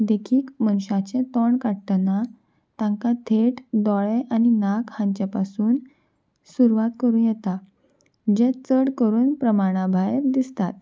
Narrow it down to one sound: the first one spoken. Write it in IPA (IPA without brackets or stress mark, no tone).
d̪